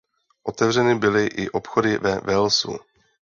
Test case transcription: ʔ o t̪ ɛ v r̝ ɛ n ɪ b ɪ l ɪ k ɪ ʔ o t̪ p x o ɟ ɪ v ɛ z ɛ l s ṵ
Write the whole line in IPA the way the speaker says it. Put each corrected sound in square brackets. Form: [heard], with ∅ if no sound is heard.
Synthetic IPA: ʔ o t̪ ɛ v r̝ ɛ n ɪ b ɪ l ɪ [ʔ] ɪ ʔ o [∅] p x o [d] ɪ v ɛ [v] ɛ l s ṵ